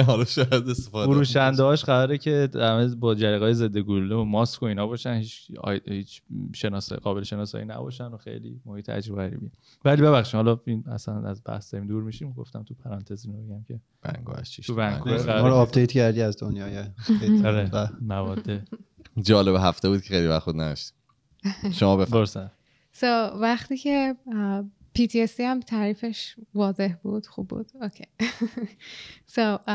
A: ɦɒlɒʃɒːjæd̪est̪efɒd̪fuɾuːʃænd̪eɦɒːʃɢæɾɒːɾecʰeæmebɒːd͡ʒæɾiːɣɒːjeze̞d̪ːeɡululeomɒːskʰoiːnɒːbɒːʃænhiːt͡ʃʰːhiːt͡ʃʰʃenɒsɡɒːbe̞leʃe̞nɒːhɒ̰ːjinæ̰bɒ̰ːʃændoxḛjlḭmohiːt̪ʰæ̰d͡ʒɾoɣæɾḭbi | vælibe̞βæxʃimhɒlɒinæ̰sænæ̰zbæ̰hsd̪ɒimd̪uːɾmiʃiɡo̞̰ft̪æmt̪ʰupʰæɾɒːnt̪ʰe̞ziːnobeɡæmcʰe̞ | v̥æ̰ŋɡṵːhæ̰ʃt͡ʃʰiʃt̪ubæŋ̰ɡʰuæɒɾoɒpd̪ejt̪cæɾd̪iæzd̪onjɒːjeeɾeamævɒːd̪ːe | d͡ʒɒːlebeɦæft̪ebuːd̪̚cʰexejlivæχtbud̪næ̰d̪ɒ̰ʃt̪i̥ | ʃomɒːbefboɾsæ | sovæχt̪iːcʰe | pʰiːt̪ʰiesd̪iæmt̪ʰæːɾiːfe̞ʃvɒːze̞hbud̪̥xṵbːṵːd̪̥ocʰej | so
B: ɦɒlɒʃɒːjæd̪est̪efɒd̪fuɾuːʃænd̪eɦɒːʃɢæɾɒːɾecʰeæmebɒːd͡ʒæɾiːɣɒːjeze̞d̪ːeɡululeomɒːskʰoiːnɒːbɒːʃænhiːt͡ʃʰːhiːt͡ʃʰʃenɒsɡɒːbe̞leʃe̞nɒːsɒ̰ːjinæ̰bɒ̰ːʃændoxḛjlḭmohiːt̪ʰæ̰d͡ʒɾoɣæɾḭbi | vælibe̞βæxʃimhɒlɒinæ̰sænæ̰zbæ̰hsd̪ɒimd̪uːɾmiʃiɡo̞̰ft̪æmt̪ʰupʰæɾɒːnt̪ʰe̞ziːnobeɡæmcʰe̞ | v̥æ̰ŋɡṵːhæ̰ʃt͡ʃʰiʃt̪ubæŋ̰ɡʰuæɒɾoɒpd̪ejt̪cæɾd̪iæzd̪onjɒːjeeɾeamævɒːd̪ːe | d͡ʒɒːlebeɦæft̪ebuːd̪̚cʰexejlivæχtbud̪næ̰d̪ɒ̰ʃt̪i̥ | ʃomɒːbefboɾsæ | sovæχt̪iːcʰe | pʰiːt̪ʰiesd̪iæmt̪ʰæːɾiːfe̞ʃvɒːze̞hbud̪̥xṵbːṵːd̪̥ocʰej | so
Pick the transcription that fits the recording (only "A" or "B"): B